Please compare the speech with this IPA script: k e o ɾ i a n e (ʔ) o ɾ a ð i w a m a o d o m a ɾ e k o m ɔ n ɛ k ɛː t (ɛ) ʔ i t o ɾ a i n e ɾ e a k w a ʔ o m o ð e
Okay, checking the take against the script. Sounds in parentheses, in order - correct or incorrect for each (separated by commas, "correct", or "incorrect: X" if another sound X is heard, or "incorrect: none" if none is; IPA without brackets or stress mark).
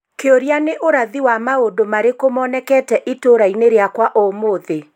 correct, correct